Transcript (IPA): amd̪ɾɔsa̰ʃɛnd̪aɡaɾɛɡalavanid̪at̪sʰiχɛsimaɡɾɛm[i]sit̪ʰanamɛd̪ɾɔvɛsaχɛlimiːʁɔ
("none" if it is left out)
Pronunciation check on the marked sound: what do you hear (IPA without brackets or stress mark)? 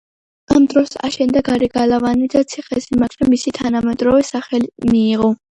i